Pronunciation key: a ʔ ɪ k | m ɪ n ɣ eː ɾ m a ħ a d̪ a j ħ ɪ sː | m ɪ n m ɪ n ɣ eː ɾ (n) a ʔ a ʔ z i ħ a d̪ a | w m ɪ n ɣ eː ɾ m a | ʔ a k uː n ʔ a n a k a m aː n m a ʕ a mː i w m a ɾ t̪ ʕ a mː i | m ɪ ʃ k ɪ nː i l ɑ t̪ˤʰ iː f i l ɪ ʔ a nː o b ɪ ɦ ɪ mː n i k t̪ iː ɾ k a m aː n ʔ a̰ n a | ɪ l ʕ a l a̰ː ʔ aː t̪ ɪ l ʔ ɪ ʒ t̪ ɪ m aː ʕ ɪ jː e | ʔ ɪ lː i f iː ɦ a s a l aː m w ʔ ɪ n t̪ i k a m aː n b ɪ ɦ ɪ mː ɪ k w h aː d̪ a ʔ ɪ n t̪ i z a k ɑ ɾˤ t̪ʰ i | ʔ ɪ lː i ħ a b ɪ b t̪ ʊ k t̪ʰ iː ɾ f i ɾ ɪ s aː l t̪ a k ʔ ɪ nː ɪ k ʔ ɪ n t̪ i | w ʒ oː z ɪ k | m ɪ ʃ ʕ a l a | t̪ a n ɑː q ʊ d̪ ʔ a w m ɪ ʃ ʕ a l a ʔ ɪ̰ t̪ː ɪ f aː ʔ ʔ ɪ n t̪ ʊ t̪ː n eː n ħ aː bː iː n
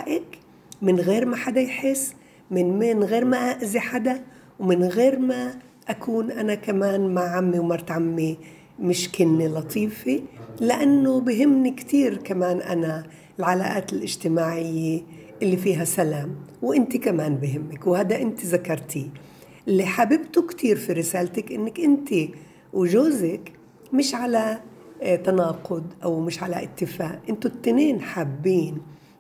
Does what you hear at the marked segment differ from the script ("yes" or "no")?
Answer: yes